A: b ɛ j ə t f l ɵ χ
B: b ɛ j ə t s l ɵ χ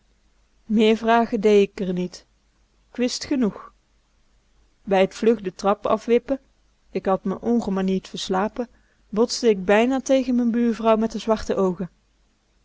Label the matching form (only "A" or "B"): A